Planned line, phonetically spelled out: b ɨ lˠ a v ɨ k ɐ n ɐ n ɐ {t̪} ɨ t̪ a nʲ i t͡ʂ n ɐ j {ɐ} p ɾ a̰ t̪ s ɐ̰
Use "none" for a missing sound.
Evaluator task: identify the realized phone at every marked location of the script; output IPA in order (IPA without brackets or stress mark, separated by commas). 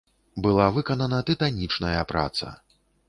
t̪, ɐ